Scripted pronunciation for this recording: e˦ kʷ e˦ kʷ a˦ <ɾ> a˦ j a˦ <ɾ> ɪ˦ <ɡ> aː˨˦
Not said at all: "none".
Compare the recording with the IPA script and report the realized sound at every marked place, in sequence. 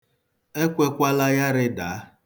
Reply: l, ɾ, d

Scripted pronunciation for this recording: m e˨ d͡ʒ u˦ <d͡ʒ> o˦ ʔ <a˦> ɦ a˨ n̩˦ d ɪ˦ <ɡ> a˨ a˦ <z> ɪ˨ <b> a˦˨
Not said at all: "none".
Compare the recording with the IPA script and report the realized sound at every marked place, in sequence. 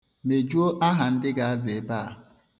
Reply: none, a˦, ɡ, z, b

